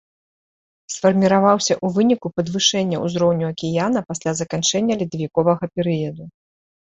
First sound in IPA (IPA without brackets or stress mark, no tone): s